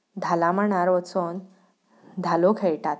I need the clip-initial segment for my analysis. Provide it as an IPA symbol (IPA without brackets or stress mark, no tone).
d̪ʱ